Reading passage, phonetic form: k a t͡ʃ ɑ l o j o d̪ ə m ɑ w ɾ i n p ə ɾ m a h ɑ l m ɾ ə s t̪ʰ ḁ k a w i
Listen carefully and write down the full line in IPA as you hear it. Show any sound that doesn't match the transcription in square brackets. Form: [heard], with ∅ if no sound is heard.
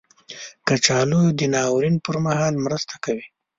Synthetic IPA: k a t͡ʃ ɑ l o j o d̪ ə [n] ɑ w ɾ i n p ə ɾ m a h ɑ l m ɾ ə s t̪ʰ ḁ k a w i